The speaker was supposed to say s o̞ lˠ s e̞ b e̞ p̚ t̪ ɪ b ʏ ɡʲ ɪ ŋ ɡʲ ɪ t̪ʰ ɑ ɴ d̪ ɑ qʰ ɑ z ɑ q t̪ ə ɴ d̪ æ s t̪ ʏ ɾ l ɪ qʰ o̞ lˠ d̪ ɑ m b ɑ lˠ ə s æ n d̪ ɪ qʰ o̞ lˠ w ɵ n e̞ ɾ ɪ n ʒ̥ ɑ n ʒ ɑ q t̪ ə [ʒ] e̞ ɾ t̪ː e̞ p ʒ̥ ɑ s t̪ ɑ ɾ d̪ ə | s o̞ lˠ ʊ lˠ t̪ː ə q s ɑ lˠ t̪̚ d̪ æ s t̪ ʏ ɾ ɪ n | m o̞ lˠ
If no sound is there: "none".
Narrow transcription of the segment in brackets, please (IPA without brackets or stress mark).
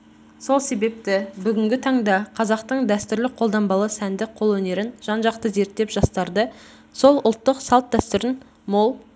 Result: z